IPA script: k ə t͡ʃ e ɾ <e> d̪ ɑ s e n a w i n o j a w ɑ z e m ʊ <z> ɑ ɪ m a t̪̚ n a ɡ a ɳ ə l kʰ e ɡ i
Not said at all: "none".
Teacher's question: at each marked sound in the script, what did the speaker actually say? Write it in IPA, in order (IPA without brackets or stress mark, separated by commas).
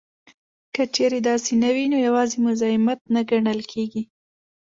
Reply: e, z